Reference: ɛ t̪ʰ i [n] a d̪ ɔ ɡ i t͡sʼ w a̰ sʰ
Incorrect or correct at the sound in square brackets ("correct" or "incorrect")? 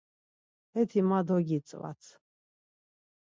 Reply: incorrect